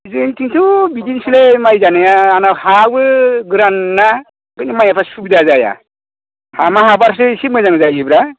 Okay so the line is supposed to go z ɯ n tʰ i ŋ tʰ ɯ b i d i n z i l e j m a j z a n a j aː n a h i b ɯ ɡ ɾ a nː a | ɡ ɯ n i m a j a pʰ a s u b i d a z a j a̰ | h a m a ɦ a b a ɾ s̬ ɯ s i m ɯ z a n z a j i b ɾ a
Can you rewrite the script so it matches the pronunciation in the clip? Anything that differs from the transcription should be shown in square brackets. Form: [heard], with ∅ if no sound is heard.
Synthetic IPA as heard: z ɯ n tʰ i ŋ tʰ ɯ b i d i n [s] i l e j m a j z a n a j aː n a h [a] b ɯ ɡ ɾ a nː a | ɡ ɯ n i m a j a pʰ a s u b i d a z a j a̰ | h a m a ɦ a b a ɾ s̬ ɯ s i m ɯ z a [ŋ] z a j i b ɾ a